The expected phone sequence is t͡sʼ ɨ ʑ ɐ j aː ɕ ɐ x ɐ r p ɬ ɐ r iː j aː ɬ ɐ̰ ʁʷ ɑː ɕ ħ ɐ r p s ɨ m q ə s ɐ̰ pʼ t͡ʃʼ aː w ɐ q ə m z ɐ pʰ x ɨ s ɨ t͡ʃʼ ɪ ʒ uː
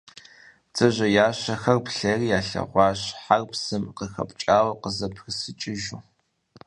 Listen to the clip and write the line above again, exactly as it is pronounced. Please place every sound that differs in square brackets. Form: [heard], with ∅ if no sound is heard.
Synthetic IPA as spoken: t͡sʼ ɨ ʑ ɐ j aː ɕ ɐ x ɐ r p ɬ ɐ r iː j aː ɬ ɐ̰ ʁʷ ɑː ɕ ħ [a] r p s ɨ m q ə [x] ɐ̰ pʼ t͡ʃʼ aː w ɐ q ə [∅] z ɐ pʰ x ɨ s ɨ t͡ʃʼ ɪ ʒ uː